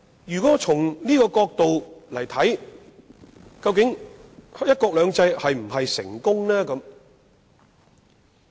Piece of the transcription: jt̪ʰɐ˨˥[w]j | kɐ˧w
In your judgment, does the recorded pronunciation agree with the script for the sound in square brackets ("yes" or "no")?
no